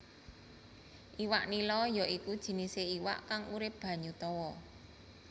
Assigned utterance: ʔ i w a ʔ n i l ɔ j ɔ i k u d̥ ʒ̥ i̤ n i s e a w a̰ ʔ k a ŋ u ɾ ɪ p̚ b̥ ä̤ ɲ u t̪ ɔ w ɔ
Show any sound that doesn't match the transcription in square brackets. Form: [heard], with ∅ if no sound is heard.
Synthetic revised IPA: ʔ i w a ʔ n i l ɔ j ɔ i k u d̥ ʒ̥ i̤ n i s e [i] w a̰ ʔ k a ŋ u ɾ ɪ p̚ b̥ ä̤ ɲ u t̪ ɔ w ɔ